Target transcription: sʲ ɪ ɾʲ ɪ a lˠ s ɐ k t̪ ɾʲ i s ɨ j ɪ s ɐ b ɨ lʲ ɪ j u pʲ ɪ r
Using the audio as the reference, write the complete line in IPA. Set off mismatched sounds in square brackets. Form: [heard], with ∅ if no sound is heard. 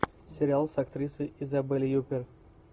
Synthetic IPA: sʲ ɪ ɾʲ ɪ a lˠ s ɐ k t̪ ɾʲ i s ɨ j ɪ [z] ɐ b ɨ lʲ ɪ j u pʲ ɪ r